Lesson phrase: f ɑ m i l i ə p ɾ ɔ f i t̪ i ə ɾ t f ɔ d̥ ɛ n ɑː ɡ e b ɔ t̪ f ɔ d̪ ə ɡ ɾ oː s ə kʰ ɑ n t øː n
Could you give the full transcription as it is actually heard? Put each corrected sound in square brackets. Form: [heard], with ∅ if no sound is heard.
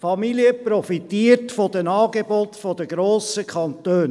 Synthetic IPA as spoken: f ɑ m i l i ə p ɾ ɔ f i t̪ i ə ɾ t f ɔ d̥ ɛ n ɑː ɡ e b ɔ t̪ f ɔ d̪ ə ɡ ɾ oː s ə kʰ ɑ n t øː n